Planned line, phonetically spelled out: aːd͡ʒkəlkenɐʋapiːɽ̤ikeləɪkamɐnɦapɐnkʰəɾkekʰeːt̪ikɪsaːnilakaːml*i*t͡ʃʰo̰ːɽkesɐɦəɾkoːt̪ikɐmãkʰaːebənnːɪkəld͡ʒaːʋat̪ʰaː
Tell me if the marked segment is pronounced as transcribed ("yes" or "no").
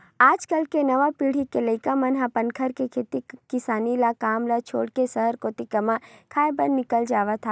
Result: no